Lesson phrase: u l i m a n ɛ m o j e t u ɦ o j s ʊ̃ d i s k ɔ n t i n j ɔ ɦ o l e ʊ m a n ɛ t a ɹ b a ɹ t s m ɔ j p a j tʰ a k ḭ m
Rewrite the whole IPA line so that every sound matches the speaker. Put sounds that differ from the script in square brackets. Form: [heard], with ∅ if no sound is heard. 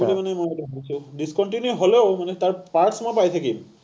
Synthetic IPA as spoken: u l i m a n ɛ m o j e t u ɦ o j s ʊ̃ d i s k ɔ n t i n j [u] ɦ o l e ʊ m a n ɛ t a ɹ [p] a ɹ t s m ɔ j p a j tʰ a k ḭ m